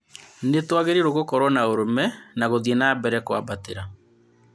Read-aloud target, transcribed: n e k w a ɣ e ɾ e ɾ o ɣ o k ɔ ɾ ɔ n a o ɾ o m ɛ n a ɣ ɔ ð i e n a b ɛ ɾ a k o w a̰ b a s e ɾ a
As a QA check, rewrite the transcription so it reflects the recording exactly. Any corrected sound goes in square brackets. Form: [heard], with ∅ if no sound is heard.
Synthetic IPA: n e [t] w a ɣ e ɾ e ɾ o ɣ o k ɔ ɾ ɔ n a o ɾ o m ɛ n a ɣ [o] ð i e n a b ɛ ɾ [ɛ] k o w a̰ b a [t] e ɾ a